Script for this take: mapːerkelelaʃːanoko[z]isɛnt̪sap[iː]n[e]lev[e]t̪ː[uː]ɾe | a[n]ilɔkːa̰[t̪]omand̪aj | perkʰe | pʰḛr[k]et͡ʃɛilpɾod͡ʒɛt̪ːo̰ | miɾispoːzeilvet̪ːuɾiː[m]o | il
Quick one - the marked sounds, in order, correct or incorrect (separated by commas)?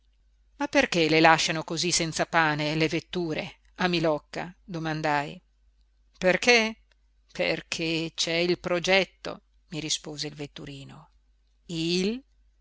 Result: correct, incorrect, correct, correct, correct, incorrect, incorrect, incorrect, incorrect